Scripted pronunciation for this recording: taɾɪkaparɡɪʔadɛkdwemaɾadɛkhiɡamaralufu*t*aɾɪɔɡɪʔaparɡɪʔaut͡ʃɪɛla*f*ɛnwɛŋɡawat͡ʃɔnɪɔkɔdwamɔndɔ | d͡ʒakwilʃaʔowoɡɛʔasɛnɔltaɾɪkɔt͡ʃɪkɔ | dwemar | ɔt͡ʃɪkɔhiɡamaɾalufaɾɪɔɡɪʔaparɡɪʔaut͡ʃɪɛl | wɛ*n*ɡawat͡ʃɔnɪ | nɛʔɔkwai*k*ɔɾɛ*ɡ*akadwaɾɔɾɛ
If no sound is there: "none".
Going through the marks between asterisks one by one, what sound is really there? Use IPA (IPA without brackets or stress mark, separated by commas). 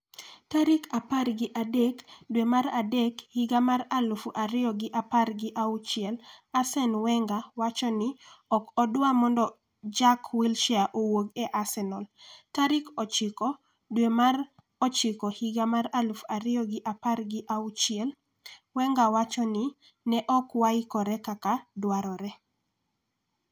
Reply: ʔ, s, ŋ, k, k